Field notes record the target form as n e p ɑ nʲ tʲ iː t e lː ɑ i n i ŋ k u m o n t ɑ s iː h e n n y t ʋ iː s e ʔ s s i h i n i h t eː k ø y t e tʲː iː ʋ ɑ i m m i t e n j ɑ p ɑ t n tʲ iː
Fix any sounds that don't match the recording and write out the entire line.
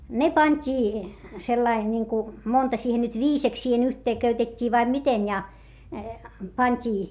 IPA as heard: n e p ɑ nʲ tʲ iː s e lː ɑ i n i ŋ k u m o n t ɑ s iː h e n n y t ʋ iː s e k s s iː h e n y h t eː k ø y t e tʲː iː ʋ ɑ i m m i t e n j ɑ p ɑ n tʲ iː